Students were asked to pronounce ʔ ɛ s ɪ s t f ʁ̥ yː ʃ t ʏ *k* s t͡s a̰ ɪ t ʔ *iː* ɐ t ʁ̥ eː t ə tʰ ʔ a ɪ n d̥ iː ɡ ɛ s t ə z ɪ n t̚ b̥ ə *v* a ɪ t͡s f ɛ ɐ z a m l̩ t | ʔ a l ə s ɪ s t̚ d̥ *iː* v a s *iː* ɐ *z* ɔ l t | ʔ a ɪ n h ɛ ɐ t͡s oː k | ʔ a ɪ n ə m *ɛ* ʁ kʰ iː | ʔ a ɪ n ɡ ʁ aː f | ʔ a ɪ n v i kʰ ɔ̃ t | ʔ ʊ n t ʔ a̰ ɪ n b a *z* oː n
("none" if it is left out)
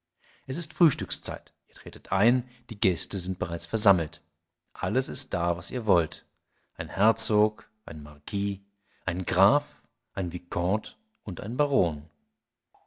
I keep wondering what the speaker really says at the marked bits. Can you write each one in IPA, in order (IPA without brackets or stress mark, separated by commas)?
k, iː, ʁ, aː, iː, v, a, ʁ